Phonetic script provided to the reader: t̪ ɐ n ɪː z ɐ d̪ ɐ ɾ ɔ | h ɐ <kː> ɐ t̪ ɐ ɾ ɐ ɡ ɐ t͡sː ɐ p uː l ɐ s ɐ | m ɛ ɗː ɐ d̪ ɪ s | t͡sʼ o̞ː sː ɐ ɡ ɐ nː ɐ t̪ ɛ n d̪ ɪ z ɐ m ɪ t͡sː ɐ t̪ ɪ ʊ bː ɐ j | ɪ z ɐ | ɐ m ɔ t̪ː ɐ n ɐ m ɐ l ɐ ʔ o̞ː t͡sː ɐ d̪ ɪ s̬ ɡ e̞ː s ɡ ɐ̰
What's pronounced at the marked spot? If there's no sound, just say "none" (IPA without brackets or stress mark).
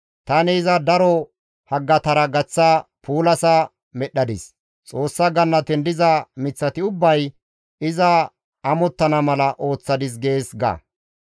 ɡː